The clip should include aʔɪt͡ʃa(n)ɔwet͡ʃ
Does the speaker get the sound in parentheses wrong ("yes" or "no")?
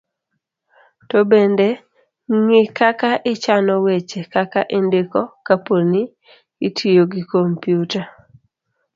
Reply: no